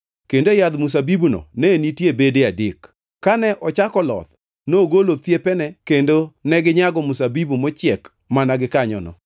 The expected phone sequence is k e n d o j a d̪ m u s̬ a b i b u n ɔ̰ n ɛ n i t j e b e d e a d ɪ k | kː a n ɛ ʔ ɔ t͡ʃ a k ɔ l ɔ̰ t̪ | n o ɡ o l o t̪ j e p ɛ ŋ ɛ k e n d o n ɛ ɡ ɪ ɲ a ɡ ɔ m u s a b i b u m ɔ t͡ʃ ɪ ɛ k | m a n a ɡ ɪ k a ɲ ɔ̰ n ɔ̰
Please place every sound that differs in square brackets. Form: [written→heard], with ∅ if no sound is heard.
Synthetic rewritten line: k e n d o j a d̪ m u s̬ a b i b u n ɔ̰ n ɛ n i t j e b e d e a d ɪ k | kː a n ɛ ʔ ɔ t͡ʃ a k ɔ l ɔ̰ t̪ | n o ɡ o l o t̪ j e p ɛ [ŋ→n] ɛ k e n d o n ɛ ɡ ɪ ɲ a ɡ ɔ m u s a b i b u m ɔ t͡ʃ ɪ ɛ k | m a n a ɡ ɪ k a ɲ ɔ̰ n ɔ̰

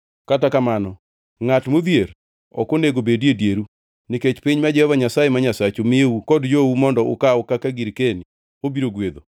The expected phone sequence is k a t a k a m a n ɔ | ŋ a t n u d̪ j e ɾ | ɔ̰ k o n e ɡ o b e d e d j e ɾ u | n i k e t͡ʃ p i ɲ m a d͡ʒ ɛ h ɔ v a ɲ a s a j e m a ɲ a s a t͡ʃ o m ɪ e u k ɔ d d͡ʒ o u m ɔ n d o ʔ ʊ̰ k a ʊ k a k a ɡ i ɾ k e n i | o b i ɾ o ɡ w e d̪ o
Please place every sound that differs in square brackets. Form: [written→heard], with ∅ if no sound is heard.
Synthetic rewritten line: k a t a k a m a n ɔ | ŋ a t [n→m] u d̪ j e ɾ | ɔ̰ k o n e ɡ o b e d e d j e ɾ u | n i k e t͡ʃ p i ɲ m a d͡ʒ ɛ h ɔ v a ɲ a s a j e m a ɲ a s a t͡ʃ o m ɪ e u k ɔ d d͡ʒ o u m ɔ n d [o→ɔ] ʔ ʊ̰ k a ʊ k a k a ɡ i ɾ k e n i | o b i ɾ o ɡ w e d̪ o

